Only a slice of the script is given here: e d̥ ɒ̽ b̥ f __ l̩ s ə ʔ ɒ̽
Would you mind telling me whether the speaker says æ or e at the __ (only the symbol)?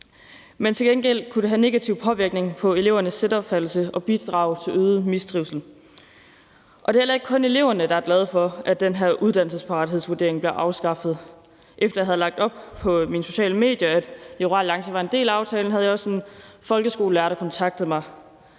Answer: æ